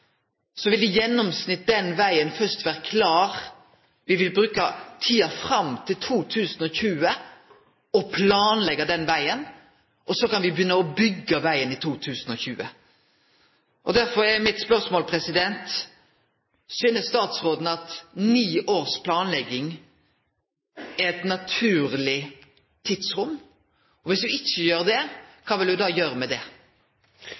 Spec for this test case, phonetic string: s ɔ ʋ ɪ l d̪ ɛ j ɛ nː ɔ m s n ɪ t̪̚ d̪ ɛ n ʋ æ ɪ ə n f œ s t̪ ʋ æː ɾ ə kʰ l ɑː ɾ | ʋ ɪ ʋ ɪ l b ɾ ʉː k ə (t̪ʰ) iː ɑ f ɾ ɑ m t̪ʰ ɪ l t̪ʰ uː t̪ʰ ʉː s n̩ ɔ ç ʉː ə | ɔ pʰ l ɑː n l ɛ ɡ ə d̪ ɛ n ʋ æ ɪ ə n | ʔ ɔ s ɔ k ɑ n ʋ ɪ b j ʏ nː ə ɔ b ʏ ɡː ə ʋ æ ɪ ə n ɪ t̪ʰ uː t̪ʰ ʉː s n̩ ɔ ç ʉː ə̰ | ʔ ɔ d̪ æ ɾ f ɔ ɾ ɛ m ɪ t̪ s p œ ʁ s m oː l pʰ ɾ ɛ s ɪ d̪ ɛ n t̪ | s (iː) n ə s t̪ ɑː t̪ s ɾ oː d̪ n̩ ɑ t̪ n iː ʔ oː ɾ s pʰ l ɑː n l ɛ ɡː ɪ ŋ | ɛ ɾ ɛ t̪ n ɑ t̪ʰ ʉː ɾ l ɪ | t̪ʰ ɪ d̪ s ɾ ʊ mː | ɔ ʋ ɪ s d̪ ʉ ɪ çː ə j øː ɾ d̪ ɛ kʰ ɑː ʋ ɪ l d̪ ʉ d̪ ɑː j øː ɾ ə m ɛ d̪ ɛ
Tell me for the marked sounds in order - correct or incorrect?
correct, incorrect: yː

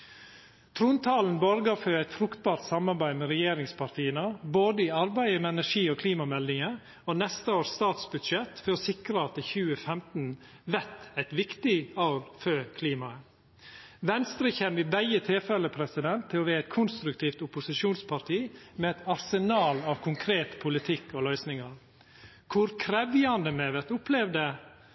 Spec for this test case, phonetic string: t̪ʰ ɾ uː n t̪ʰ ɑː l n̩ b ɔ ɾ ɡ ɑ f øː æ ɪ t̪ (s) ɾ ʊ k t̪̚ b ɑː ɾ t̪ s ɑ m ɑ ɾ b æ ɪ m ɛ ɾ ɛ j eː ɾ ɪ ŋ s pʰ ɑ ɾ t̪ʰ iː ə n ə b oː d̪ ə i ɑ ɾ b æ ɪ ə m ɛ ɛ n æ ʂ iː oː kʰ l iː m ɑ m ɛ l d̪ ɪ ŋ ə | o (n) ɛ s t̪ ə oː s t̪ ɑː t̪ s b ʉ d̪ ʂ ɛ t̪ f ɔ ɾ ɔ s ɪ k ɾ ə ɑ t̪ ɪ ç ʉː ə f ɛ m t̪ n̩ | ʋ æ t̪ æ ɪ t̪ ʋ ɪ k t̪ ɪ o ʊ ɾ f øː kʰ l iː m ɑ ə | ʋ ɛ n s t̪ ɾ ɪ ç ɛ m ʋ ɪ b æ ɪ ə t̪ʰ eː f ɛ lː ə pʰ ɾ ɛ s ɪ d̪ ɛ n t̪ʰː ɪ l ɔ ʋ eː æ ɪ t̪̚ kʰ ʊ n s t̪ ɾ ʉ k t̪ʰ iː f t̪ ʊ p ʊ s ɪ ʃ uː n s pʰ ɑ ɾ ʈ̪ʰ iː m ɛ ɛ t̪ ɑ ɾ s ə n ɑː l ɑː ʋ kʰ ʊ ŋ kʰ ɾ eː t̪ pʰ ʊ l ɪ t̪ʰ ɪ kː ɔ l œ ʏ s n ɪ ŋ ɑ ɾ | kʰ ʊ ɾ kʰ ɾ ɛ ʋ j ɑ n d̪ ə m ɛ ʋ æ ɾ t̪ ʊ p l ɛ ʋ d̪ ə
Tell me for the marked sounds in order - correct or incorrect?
incorrect: f, correct

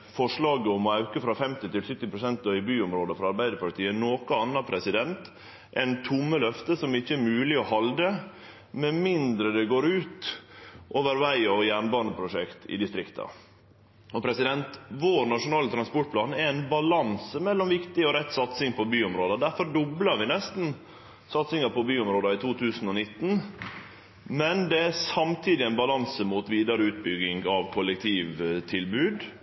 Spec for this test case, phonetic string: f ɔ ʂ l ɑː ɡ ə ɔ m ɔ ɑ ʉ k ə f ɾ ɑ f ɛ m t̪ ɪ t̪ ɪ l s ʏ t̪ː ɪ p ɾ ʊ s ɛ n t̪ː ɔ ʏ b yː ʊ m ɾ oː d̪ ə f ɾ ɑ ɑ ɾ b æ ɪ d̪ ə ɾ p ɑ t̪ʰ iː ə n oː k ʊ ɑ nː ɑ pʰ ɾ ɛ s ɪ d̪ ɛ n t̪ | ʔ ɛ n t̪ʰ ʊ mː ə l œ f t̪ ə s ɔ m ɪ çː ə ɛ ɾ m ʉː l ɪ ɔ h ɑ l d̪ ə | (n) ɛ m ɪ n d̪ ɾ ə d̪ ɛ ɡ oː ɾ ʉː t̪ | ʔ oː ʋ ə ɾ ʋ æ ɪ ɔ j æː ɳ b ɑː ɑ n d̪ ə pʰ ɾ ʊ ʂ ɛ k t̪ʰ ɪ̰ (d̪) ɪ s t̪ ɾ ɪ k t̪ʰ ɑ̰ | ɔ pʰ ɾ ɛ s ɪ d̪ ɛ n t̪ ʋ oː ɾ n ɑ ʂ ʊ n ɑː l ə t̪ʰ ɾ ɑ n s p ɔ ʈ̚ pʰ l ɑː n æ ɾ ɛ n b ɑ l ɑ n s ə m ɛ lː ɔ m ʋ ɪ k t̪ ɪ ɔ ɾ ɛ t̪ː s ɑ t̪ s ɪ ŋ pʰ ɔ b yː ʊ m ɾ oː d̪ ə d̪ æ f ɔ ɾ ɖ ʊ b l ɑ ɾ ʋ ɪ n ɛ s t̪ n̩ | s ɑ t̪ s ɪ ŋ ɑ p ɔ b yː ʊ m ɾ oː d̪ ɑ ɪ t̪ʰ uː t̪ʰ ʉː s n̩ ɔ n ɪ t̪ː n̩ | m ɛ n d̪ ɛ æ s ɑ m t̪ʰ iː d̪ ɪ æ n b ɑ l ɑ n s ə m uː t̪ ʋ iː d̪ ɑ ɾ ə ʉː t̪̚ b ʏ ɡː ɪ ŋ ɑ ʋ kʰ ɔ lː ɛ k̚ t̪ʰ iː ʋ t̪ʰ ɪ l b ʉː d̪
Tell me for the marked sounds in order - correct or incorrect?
incorrect: m, correct

